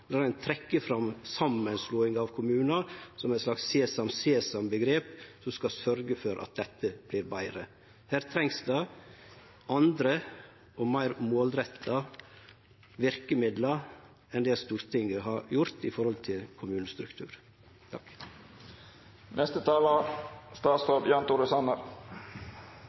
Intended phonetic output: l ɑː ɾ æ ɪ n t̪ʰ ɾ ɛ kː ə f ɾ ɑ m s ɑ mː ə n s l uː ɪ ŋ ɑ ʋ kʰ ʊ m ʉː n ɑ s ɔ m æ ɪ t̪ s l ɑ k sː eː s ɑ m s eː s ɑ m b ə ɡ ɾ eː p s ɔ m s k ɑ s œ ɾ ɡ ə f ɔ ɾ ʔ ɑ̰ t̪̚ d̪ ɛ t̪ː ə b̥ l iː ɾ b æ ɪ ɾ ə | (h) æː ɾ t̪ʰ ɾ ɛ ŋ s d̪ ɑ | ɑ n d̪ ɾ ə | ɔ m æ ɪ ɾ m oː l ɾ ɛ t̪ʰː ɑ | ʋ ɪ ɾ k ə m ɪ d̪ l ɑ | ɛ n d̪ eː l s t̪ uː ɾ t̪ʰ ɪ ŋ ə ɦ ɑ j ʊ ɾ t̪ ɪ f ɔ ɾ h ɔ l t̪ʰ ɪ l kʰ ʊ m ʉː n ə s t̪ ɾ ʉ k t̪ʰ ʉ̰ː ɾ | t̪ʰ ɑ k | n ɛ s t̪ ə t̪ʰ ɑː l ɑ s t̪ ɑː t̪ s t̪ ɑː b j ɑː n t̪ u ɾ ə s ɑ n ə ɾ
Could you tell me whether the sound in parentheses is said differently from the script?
no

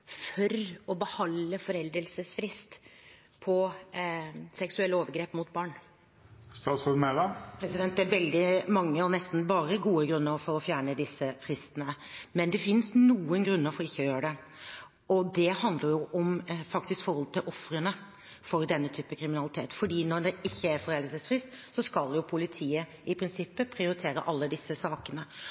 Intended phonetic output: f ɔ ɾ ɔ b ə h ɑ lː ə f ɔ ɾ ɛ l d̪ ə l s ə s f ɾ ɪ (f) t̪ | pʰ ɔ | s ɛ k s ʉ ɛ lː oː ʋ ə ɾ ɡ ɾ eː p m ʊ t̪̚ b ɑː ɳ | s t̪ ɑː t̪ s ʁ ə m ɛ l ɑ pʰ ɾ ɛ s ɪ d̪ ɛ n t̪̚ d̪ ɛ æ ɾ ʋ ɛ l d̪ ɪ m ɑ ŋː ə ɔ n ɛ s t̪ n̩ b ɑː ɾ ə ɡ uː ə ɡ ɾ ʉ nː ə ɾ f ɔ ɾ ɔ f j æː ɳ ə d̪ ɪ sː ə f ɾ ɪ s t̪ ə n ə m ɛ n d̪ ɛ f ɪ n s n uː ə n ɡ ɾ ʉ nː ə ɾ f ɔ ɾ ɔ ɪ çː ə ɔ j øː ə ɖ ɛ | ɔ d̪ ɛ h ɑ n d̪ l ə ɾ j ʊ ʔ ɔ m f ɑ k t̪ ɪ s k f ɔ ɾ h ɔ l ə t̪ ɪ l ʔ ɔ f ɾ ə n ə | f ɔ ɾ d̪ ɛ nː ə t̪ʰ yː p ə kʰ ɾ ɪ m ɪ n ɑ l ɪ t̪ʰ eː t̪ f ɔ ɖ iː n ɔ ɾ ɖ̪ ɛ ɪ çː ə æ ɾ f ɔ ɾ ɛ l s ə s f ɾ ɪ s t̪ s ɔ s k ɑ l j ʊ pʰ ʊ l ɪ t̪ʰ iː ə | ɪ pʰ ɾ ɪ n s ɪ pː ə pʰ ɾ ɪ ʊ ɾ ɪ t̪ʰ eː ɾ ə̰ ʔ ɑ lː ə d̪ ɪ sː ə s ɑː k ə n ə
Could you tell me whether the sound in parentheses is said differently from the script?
yes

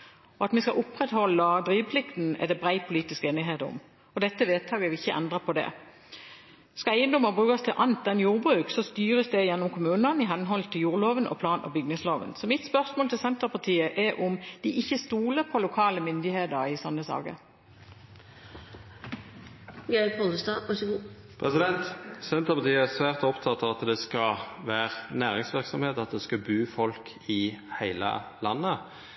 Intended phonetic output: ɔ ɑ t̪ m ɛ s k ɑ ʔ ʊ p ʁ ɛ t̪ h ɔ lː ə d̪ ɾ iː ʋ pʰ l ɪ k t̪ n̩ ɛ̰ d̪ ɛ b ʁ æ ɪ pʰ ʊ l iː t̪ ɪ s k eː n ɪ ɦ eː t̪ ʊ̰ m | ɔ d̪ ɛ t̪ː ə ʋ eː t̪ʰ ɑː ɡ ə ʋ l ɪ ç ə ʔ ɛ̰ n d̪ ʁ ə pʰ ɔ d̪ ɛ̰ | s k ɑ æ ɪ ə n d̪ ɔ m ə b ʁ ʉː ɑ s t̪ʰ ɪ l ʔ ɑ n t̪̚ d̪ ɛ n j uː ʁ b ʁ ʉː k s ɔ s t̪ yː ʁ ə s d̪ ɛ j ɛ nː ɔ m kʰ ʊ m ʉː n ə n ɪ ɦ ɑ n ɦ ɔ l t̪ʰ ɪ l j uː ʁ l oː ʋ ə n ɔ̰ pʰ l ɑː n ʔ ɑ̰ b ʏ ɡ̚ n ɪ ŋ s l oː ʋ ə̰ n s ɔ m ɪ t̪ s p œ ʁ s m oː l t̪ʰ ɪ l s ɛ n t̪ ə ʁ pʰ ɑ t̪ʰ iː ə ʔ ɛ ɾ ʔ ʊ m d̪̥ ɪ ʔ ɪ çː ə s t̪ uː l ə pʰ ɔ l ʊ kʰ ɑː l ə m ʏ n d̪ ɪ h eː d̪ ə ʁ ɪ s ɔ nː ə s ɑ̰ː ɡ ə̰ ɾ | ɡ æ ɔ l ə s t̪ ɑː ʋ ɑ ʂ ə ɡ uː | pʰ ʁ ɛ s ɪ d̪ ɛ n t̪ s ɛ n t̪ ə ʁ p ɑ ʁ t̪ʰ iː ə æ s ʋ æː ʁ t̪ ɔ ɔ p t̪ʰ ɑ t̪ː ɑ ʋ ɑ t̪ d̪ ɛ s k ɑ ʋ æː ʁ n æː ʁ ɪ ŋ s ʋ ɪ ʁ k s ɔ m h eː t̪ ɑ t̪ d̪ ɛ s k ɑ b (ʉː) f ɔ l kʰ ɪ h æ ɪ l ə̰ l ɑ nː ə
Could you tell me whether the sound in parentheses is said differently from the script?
no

